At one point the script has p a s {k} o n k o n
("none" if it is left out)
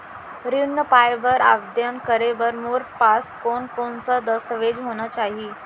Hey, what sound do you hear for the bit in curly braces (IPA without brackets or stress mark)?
k